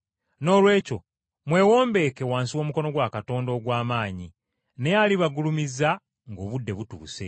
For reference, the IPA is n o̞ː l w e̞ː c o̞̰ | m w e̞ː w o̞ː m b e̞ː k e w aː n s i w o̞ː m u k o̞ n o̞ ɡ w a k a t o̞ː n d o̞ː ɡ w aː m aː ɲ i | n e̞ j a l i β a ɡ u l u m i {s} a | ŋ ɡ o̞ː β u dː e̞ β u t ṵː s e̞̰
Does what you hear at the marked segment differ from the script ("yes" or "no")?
yes